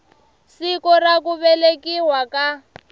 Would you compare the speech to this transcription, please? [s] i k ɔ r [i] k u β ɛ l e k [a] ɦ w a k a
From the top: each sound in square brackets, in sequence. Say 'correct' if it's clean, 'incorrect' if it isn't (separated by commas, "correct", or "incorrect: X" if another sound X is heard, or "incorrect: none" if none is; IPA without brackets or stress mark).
correct, incorrect: a, incorrect: i